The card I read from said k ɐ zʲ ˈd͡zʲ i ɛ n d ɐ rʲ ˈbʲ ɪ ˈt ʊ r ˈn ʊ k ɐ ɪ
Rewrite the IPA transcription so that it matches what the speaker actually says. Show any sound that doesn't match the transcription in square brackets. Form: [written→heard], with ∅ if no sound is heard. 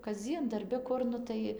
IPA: k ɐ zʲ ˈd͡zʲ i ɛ n d ɐ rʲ ˈbʲ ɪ [ˈt→ˈk] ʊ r ˈn ʊ [k→t] ɐ ɪ

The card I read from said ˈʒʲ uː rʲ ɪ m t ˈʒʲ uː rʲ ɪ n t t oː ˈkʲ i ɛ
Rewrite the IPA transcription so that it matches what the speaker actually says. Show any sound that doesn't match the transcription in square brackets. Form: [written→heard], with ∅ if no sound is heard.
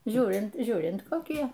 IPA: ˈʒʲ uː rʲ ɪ [m→n] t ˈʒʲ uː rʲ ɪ n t [t→k] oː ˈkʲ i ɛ

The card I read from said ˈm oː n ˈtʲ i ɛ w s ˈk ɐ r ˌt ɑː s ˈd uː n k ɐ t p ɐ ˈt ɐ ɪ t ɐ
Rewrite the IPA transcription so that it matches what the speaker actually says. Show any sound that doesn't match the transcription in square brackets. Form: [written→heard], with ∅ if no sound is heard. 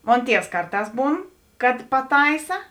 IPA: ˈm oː n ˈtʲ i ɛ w s ˈk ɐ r ˌt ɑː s [ˈd→ˈb] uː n k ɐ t p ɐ ˈt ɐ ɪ [t→s] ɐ

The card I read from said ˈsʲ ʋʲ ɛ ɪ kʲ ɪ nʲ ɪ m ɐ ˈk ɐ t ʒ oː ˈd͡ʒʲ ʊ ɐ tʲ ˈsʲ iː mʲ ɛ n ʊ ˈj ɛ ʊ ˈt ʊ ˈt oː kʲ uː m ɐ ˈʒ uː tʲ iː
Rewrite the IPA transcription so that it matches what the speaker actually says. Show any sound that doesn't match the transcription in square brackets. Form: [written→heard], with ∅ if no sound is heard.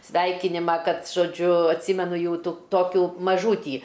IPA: ˈsʲ ʋʲ ɛ ɪ kʲ ɪ nʲ ɪ m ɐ ˈk ɐ t ʒ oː ˈd͡ʒʲ ʊ ɐ tʲ ˈsʲ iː mʲ ɛ n ʊ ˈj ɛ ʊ ˈt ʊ ˈt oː kʲ uː m ɐ ˈʒ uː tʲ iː

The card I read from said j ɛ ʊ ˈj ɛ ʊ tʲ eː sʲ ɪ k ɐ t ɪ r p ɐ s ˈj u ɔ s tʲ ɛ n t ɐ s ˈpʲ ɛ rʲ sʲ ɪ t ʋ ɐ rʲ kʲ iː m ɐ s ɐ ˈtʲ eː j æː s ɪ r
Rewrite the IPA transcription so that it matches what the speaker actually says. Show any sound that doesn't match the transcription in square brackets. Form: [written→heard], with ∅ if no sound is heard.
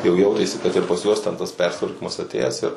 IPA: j ɛ ʊ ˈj ɛ ʊ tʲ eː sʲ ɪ k ɐ t ɪ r p ɐ s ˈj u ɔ s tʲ ɛ n t ɐ s ˈpʲ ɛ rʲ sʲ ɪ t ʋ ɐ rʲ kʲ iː m ɐ s ɐ ˈtʲ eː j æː s ɪ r

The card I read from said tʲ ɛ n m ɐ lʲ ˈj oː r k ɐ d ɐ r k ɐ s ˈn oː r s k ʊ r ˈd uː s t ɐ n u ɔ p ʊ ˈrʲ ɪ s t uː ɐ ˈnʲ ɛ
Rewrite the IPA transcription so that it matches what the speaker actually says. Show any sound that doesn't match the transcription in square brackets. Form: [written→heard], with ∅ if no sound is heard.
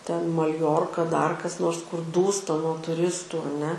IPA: tʲ ɛ n m ɐ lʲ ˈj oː r k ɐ d ɐ r k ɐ s ˈn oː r s k ʊ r ˈd uː s t ɐ n u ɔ [p→t] ʊ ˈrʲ ɪ s t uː ɐ ˈnʲ ɛ

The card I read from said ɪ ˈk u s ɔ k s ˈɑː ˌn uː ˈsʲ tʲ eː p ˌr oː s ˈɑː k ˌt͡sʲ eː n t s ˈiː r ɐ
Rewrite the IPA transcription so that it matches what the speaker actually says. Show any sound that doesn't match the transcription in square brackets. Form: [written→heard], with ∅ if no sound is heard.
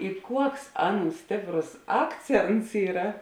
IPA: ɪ ˈk u [s→∅] ɔ k s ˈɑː ˌn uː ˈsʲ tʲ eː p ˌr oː s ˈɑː k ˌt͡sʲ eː n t s ˈiː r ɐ

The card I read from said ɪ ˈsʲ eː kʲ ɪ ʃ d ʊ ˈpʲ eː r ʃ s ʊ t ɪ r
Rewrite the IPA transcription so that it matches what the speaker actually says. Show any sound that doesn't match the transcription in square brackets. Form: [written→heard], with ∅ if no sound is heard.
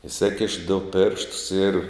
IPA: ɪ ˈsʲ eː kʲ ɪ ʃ d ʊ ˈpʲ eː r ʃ [s→t] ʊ [t→s] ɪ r

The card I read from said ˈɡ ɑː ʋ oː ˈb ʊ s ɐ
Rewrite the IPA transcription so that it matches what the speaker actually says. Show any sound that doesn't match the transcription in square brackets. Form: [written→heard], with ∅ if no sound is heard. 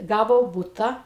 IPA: ˈɡ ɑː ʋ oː ˈb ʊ [s→t] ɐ

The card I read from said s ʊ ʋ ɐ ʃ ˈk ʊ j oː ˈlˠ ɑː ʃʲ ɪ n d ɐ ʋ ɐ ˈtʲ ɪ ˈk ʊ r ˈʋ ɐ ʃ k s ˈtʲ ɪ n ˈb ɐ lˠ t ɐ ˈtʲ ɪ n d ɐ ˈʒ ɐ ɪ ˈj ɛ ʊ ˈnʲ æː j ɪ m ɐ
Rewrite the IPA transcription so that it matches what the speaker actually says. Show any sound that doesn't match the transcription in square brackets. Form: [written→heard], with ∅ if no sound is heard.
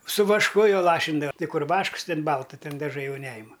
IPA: s ʊ ʋ ɐ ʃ ˈk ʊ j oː ˈlˠ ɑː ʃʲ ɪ n d ɐ ʋ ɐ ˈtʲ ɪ ˈk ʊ r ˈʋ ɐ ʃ k s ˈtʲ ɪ n ˈb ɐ lˠ t ɐ ˈtʲ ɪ n d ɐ ˈʒ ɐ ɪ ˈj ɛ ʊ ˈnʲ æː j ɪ m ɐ

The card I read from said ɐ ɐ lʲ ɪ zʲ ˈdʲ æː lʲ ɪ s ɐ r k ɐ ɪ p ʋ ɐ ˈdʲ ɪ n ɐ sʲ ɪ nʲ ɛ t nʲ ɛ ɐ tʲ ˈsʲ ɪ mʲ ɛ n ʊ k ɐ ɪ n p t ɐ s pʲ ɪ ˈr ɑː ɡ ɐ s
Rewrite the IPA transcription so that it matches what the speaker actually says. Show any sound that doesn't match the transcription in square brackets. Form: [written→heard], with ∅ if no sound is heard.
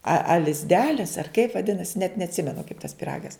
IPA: ɐ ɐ lʲ ɪ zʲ ˈdʲ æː lʲ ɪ s ɐ r k ɐ ɪ p ʋ ɐ ˈdʲ ɪ n ɐ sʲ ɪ nʲ ɛ t nʲ ɛ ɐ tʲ ˈsʲ ɪ mʲ ɛ n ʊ k ɐ ɪ [n→∅] p t ɐ s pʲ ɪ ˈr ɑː ɡ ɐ s

